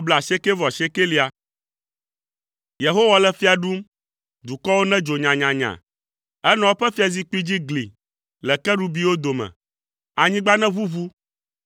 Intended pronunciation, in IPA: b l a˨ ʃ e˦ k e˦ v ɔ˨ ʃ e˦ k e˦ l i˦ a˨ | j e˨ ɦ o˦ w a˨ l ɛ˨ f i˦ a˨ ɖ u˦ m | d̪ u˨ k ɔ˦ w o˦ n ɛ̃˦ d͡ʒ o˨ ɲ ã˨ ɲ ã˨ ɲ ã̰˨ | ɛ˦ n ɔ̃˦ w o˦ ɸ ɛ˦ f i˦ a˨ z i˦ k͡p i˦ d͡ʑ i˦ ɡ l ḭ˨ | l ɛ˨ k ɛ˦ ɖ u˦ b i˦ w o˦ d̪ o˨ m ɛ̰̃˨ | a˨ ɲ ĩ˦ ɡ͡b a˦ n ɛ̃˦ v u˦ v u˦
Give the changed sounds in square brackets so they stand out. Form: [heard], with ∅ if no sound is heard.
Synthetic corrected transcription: b l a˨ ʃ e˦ k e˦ v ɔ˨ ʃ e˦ k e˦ l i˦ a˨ | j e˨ ɦ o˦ w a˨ l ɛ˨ f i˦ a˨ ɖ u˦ m | d̪ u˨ k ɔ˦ w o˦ n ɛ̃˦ d͡ʒ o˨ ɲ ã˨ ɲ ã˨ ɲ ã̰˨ | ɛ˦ n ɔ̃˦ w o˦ ɸ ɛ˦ f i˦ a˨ z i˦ k͡p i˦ d͡ʑ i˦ ɡ l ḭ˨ | l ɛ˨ k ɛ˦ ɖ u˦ b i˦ w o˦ d̪ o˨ m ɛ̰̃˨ | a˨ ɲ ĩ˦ ɡ͡b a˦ n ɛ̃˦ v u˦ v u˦